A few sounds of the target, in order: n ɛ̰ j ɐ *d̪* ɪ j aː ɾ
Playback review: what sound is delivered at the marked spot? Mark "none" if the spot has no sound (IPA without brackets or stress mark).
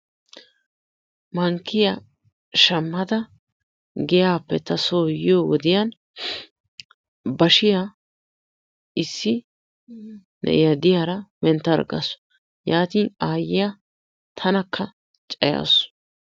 d̪